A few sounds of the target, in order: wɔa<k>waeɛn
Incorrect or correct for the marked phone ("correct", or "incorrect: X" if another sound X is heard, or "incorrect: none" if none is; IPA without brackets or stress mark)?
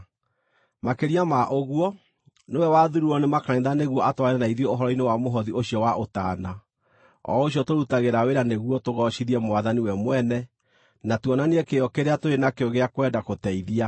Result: incorrect: t